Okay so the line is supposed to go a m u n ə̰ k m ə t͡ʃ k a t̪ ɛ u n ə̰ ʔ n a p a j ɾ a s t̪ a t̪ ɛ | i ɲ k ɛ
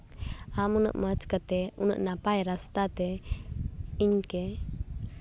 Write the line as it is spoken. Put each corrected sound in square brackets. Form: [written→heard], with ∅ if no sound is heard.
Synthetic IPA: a m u n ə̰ [k→ʔ] m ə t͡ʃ k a t̪ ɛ u n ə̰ ʔ n a p a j ɾ a s t̪ a t̪ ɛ | i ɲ k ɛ